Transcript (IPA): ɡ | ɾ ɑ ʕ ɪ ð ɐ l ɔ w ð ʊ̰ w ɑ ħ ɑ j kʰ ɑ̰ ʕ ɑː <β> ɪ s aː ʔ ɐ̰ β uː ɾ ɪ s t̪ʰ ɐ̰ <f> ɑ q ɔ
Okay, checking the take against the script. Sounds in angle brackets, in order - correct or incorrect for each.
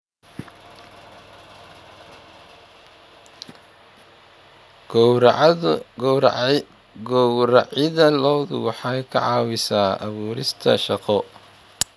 incorrect: w, incorrect: ʃ

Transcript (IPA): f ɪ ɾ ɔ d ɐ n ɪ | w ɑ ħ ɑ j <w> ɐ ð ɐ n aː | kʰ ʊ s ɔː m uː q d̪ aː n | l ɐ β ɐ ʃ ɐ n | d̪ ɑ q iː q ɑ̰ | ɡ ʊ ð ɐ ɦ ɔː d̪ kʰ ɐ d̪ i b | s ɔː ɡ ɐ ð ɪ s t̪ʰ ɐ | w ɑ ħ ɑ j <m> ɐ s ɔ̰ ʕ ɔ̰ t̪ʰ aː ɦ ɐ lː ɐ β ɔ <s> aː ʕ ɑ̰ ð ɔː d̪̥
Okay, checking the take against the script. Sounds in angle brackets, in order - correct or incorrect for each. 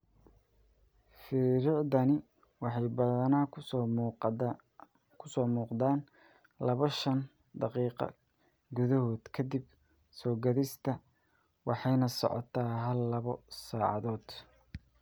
incorrect: b, incorrect: n, correct

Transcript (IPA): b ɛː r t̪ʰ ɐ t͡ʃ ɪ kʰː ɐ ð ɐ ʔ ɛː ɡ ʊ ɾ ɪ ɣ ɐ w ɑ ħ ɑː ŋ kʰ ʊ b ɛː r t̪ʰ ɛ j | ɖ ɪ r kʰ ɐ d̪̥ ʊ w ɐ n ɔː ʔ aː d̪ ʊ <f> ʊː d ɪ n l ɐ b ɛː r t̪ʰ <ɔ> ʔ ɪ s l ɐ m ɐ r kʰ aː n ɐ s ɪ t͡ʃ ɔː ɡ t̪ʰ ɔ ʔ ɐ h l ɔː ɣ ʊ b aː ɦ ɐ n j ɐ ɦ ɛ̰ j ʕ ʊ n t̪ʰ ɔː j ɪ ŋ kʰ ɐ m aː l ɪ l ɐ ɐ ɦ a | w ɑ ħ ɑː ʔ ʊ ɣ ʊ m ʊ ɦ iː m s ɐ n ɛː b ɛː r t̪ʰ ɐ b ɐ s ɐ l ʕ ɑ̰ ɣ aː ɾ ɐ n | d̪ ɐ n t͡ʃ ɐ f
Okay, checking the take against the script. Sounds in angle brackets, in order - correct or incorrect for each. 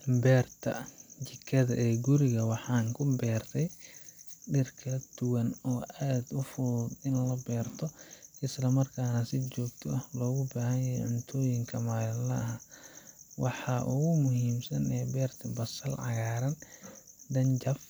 correct, correct

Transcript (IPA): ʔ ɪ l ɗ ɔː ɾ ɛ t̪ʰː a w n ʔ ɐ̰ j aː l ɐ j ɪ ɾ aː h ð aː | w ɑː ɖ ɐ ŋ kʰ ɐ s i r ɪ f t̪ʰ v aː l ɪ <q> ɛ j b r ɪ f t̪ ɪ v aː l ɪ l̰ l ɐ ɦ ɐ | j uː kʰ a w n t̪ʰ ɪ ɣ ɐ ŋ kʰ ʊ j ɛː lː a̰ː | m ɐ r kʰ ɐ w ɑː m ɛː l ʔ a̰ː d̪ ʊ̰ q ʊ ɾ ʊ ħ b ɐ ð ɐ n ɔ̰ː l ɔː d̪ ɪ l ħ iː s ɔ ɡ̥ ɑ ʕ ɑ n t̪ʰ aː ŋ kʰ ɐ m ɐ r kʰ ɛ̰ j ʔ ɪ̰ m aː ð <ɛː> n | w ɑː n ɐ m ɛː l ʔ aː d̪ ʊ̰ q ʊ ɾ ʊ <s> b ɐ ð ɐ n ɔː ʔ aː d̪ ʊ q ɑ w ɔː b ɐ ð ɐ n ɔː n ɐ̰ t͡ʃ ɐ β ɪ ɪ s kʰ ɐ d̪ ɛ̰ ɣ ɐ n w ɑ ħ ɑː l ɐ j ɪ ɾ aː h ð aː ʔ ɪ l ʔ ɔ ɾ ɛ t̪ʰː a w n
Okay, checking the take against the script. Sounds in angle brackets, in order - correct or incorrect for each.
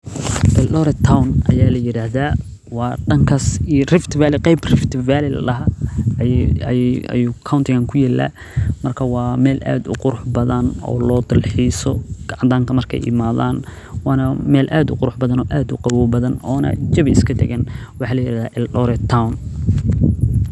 correct, incorrect: aː, incorrect: ħ

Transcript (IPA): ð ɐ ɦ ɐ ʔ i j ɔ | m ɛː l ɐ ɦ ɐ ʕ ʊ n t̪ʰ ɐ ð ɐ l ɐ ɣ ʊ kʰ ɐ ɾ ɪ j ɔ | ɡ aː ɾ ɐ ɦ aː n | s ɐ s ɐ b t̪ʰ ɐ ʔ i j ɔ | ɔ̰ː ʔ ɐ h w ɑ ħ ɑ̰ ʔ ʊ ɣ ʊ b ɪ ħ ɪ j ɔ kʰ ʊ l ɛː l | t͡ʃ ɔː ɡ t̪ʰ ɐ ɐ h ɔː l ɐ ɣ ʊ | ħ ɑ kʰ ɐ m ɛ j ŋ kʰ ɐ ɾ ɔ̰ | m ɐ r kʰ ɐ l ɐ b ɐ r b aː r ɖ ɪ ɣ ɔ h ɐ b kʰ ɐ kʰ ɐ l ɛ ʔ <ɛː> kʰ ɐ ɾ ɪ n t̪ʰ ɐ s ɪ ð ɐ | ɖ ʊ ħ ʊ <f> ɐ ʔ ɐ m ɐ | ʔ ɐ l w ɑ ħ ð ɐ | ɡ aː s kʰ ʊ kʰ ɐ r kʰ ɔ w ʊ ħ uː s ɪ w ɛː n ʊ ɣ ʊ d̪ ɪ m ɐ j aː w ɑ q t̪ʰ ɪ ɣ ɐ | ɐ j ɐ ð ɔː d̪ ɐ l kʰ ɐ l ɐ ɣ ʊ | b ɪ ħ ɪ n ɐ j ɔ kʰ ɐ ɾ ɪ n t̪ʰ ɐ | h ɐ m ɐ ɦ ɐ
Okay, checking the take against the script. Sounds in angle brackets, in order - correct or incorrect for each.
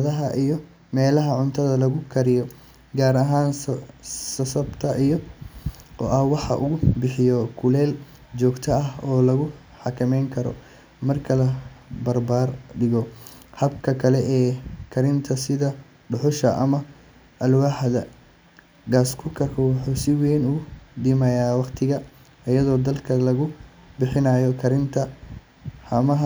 correct, incorrect: ʃ

